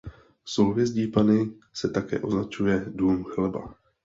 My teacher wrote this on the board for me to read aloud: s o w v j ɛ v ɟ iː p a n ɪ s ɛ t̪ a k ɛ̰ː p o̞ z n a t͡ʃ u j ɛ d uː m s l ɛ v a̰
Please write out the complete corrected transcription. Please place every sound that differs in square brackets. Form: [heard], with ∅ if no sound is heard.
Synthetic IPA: s o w v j ɛ [z] ɟ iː p a n ɪ s ɛ t̪ a k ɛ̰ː [ʔ] o̞ z n a t͡ʃ u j ɛ d uː m [x] l ɛ [b] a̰